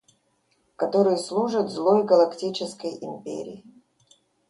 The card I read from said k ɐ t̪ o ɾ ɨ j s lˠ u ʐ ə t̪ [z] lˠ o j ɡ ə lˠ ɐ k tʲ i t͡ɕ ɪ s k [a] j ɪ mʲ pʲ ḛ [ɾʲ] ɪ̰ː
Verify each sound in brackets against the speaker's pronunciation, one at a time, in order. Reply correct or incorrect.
correct, incorrect, correct

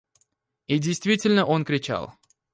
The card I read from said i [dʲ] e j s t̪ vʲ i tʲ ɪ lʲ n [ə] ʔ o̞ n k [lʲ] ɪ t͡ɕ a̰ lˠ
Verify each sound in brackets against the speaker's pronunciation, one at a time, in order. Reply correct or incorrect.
correct, correct, incorrect

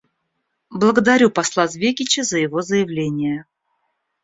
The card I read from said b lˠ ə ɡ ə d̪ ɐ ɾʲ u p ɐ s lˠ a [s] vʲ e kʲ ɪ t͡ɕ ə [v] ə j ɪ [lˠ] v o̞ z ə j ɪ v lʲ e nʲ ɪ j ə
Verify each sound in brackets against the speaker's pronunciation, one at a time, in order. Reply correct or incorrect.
incorrect, incorrect, incorrect

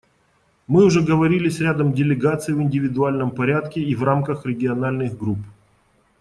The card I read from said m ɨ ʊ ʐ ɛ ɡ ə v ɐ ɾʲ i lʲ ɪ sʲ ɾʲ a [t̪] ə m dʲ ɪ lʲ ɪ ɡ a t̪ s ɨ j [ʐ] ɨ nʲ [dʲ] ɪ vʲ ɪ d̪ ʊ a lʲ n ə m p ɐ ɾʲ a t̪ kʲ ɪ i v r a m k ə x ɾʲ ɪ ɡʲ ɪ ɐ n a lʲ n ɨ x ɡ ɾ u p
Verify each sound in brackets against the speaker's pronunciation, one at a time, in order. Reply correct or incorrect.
incorrect, incorrect, correct

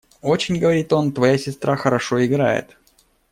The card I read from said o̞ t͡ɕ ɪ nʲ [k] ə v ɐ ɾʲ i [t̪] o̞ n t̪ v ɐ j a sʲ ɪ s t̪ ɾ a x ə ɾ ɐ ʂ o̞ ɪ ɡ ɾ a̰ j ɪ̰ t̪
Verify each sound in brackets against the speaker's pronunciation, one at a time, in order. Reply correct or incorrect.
incorrect, correct

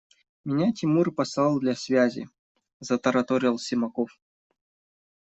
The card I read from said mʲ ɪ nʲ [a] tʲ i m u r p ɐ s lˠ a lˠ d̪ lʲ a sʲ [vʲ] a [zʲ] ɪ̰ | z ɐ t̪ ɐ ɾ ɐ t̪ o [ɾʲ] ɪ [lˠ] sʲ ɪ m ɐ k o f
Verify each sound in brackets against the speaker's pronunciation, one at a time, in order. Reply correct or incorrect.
correct, correct, correct, correct, correct

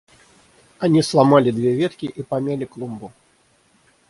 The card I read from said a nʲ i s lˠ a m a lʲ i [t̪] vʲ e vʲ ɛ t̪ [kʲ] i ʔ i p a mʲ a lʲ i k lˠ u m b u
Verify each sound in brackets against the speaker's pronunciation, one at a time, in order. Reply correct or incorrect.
incorrect, correct

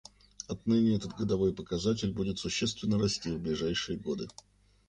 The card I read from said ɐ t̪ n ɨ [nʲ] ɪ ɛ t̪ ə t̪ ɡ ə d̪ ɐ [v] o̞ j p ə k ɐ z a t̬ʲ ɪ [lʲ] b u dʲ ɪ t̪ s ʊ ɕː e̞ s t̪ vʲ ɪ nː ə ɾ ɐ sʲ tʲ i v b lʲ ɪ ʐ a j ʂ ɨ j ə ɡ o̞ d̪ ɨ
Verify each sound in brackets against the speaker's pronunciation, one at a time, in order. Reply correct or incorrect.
correct, correct, correct

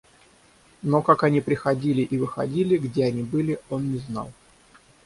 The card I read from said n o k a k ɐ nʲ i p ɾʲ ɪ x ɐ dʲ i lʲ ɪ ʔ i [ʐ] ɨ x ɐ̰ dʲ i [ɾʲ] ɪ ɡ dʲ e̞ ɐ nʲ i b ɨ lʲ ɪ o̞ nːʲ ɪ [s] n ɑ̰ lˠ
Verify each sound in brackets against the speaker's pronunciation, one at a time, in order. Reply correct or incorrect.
incorrect, incorrect, incorrect

